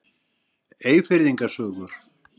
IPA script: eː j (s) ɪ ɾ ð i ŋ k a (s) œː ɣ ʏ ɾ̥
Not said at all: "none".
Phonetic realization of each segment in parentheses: f, s

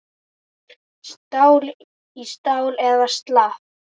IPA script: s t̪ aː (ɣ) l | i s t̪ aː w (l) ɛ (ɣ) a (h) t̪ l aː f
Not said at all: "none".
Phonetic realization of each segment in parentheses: w, l, ð, s

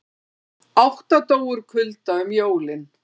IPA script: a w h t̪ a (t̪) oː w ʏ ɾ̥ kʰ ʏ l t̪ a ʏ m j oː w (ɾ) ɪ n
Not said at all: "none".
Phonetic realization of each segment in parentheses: t̪, l

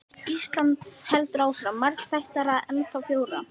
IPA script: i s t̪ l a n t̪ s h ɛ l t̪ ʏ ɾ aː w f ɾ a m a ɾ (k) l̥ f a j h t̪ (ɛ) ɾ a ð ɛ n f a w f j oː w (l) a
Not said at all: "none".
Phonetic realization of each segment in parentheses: k, a, ɾ

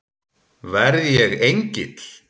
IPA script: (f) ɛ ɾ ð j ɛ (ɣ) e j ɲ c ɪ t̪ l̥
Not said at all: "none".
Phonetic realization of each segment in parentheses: v, ɣ

